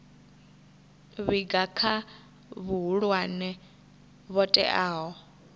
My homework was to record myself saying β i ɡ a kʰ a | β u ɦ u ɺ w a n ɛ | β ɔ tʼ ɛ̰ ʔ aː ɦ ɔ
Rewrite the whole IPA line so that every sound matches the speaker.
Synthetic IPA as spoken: β i ɡ a kʰ a | β u ɦ u ɺ w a n ɛ | β ɔ tʼ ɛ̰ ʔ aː ɦ ɔ